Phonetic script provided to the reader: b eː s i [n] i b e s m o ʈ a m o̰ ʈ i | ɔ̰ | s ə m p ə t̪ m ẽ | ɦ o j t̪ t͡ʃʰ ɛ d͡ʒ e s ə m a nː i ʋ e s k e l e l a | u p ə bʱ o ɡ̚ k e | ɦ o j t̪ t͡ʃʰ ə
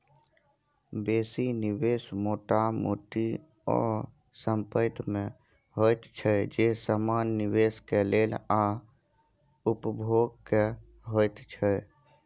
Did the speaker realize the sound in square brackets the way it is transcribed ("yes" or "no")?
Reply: yes